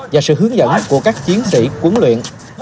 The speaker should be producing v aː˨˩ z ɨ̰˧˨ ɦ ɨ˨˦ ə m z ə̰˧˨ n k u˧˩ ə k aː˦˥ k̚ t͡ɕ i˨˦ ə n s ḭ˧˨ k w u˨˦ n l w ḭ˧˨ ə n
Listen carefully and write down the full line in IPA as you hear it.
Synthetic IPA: v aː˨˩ s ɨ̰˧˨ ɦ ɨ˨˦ ə ŋ z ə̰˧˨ n k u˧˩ ə k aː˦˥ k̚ t͡ɕ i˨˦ ə n s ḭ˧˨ k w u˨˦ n l w ḭ˧˨ ə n